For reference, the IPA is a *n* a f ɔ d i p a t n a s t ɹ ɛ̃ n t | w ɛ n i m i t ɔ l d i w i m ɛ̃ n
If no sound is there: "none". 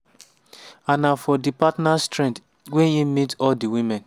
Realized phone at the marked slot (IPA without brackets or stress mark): n